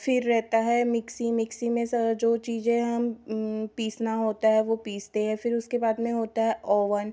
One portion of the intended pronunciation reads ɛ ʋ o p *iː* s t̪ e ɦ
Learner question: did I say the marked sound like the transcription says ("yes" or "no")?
yes